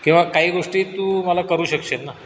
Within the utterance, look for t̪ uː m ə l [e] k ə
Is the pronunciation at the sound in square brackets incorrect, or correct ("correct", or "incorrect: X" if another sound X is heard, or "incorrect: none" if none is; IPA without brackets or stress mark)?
incorrect: a